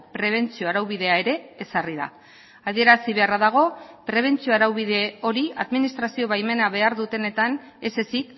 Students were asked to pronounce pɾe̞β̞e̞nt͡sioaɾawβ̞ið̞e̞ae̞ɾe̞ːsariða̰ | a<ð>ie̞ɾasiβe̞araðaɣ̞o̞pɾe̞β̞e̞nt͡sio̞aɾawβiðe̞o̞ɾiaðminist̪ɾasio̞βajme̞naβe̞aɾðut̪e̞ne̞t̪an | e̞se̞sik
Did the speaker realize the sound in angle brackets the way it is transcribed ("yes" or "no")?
yes